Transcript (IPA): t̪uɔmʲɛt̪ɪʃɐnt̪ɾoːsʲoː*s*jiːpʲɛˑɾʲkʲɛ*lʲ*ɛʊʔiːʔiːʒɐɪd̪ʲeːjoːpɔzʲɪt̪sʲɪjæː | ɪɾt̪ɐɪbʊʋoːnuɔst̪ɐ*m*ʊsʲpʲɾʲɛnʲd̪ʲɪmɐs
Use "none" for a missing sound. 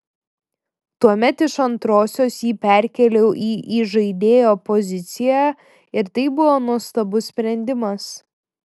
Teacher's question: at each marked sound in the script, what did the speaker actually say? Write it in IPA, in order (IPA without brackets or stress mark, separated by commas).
s, lʲ, b